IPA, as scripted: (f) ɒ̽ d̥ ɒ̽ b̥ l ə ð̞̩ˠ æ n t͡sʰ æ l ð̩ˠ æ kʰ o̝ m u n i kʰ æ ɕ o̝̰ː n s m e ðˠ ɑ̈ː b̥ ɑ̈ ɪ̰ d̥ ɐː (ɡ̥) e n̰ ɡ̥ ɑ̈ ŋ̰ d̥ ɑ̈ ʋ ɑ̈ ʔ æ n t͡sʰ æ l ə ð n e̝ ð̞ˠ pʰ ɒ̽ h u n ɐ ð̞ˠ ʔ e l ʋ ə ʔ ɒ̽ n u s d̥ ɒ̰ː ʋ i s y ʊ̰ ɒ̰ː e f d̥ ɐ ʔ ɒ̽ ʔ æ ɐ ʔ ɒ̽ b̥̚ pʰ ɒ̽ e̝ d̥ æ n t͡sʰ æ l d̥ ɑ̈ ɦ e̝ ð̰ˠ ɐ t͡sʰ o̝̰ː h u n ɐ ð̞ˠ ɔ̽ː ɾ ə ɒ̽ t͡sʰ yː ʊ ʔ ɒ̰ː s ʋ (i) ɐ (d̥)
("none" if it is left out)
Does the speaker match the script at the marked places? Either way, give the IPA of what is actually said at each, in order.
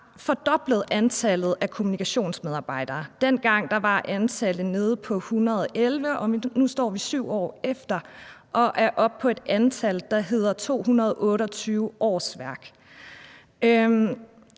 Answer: f, d̥, æ, ɡ̥

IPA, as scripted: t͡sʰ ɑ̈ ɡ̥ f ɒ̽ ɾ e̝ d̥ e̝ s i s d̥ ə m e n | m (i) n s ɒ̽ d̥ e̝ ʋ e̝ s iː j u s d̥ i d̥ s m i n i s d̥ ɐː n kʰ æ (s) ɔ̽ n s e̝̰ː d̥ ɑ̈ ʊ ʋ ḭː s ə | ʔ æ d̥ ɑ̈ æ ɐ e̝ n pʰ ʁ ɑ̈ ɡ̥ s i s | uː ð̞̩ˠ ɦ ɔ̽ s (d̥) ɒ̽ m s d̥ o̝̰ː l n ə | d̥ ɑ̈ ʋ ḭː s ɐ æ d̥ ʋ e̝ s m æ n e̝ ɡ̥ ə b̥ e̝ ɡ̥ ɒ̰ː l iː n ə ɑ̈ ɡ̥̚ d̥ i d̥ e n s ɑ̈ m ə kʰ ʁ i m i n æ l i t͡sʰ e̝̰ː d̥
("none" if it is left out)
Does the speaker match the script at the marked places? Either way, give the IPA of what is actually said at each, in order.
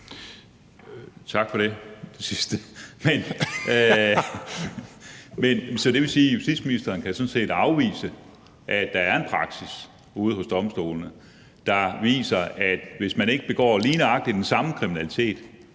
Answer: e, s, d̥

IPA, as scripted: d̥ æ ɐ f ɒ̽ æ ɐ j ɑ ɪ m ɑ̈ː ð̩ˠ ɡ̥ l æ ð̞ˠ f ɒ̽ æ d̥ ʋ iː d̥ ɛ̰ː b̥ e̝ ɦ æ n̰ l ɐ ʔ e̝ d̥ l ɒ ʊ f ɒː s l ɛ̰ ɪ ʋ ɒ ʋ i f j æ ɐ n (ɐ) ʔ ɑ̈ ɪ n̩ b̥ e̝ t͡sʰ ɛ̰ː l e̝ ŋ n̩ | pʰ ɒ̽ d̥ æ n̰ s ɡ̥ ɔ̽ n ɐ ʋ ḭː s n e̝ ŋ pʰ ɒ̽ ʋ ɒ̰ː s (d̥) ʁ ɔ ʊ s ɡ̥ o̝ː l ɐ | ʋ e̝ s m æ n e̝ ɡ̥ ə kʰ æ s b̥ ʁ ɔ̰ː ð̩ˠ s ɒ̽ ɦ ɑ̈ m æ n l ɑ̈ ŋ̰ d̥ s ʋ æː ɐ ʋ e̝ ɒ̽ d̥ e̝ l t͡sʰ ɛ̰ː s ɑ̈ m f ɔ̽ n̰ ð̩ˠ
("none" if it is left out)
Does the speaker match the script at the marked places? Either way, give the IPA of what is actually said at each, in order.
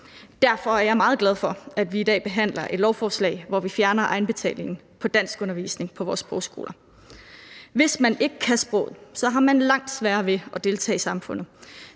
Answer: ɐ, b̥

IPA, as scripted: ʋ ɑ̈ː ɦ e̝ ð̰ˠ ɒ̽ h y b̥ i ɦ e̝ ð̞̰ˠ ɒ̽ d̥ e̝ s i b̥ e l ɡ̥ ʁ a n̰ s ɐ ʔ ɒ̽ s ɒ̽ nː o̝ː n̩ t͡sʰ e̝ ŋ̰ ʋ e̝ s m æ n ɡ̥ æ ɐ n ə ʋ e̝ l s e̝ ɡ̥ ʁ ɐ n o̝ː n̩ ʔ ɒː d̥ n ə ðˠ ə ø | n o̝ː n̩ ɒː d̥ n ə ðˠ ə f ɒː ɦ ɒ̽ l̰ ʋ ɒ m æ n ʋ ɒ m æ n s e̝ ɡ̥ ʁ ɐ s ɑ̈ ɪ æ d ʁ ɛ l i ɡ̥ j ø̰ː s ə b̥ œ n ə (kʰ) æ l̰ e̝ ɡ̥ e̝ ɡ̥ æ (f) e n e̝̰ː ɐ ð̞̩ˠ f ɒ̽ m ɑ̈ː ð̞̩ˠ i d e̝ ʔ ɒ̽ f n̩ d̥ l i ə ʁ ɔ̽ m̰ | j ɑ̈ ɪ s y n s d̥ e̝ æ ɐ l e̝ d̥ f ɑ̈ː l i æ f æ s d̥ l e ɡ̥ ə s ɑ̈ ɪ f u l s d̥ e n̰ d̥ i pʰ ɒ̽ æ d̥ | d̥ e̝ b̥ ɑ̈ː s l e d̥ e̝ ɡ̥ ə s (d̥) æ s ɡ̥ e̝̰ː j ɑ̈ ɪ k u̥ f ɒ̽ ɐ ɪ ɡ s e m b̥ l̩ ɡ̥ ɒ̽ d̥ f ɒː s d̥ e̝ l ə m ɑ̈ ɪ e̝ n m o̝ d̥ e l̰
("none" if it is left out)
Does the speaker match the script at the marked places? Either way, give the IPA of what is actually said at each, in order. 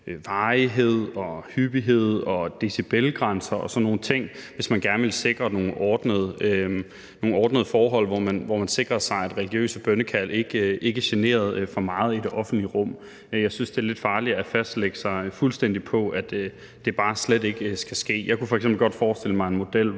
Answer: kʰ, ɕ, ɡ̥

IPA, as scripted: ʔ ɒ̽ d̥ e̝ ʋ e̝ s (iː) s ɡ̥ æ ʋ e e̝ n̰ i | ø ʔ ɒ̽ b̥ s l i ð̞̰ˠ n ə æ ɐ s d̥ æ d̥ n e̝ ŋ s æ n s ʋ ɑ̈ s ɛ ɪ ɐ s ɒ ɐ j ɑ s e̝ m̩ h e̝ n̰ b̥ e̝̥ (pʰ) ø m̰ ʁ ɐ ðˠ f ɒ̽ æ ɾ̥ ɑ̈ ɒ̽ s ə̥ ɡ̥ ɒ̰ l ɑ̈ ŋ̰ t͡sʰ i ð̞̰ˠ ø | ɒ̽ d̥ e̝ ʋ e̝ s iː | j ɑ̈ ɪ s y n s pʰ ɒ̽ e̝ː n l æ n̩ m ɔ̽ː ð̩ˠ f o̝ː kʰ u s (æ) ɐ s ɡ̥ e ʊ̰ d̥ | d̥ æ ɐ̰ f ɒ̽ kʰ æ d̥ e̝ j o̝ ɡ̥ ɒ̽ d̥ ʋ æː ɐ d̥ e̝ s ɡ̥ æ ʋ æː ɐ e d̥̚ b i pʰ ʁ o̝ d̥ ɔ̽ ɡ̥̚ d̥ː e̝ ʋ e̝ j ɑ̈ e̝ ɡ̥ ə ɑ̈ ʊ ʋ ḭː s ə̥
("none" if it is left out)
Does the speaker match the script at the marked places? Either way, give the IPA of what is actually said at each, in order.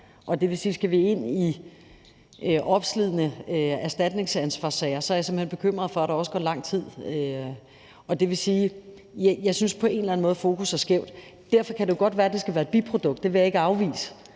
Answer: iː, kʰ, æ

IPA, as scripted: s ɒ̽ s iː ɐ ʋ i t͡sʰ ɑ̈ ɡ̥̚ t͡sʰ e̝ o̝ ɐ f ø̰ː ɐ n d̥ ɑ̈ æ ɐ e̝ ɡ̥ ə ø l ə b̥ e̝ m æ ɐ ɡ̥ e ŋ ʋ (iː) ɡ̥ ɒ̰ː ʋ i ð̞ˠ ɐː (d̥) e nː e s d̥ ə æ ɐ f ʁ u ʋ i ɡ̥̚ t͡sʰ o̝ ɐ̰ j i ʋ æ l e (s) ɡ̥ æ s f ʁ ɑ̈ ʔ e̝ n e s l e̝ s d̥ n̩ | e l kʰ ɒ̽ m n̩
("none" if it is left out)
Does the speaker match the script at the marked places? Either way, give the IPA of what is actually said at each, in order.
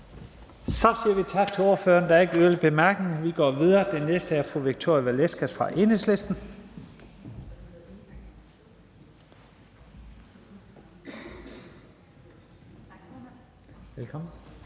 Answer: i, d̥, s

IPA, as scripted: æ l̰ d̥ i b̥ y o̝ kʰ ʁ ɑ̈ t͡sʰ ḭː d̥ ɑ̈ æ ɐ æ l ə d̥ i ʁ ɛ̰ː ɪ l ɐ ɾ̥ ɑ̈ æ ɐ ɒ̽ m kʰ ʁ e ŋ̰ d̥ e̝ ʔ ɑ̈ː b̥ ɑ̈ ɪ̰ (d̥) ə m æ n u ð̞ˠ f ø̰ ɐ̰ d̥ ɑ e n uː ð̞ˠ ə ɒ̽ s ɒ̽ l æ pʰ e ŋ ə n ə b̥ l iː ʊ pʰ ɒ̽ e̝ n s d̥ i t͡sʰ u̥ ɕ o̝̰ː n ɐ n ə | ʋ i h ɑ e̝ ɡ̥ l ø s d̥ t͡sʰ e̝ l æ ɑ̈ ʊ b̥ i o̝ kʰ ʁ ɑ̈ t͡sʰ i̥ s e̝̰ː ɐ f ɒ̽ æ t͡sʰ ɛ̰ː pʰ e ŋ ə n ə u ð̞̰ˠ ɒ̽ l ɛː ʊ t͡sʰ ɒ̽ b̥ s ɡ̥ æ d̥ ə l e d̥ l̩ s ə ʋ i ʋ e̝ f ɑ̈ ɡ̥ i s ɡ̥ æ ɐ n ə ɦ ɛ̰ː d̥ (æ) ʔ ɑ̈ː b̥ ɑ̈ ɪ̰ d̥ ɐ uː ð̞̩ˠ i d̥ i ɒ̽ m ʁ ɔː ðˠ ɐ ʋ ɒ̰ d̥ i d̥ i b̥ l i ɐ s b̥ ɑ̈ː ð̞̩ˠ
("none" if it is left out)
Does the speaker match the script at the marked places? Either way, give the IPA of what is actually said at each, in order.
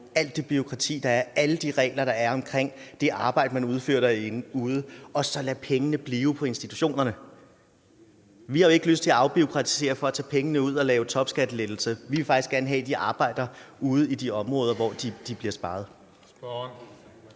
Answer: d̥, i

